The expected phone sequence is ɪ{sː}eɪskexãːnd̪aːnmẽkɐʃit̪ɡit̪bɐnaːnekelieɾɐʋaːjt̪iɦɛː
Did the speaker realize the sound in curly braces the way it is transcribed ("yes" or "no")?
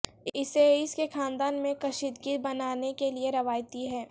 no